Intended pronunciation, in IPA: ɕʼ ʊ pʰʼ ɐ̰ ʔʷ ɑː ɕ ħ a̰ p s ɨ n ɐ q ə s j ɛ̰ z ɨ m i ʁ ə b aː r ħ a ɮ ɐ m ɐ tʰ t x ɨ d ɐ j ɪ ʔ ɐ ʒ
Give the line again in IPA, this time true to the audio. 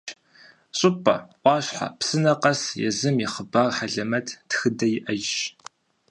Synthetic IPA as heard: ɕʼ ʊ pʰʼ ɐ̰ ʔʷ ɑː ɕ ħ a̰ p s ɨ n ɐ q ɐ s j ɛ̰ z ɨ m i χ ə b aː r ħ a ɮ ɐ m ɐ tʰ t x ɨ d ɐ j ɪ ʔ ɐ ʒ